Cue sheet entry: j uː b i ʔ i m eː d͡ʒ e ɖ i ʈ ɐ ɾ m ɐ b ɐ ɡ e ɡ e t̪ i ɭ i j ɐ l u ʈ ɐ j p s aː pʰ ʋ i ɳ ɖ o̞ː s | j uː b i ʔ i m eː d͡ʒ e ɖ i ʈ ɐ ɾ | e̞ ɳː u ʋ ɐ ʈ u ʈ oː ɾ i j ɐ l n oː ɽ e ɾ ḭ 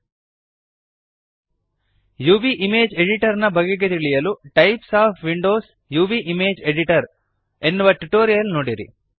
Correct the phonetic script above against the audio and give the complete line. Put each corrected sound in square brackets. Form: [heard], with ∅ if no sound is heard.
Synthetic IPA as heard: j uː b i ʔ i m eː d͡ʒ e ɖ i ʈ ɐ ɾ [n] ɐ b ɐ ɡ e ɡ e t̪ i ɭ i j ɐ l u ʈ ɐ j p s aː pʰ ʋ i ɳ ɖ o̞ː s | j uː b i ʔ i m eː d͡ʒ e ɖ i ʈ ɐ ɾ | e̞ [nː] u ʋ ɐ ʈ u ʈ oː ɾ i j ɐ l n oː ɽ [i] ɾ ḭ

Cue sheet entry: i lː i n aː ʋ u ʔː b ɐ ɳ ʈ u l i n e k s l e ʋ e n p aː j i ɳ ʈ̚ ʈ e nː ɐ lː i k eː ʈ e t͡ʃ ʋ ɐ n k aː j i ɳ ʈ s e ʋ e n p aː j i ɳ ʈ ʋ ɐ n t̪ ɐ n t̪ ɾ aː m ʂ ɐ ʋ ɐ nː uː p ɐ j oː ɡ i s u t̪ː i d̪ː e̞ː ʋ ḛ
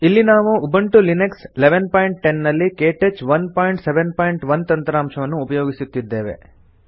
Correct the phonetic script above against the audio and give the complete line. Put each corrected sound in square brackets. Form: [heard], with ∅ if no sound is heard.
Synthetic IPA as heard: i lː i n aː ʋ u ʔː b ɐ ɳ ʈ u l i n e k s l e ʋ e n p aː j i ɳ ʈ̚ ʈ e nː ɐ lː i k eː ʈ e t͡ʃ ʋ ɐ n [p] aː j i ɳ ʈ s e ʋ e n p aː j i ɳ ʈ ʋ ɐ n t̪ ɐ n t̪ ɾ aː m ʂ ɐ ʋ ɐ nː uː p ɐ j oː ɡ i s u t̪ː i d̪ː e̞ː ʋ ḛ

